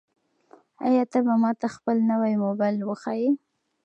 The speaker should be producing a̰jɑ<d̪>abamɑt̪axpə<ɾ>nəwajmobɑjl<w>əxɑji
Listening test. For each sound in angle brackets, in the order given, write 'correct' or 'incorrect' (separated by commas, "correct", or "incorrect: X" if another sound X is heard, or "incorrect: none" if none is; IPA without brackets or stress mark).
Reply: incorrect: t̪, incorrect: l, correct